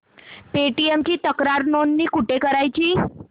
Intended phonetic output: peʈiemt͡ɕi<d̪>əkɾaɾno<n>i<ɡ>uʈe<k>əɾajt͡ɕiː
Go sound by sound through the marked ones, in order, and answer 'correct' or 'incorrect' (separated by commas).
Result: incorrect, incorrect, incorrect, correct